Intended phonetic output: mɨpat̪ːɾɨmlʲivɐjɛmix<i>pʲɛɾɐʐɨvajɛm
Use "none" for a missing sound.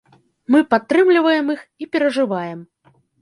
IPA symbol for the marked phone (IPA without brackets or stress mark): i